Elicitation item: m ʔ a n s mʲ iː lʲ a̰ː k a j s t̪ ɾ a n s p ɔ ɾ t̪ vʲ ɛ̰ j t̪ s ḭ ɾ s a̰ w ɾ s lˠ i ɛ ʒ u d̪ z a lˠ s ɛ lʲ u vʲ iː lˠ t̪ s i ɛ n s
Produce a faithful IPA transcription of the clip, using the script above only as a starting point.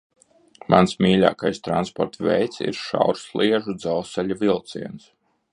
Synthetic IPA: m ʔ a n s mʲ iː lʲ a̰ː k a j s t̪ ɾ a n s p ɔ ɾ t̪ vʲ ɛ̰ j t̪ s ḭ ɾ ʃ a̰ w ɾ s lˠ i ɛ ʒ u d̪ z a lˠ s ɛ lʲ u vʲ i lˠ t̪ s i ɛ n s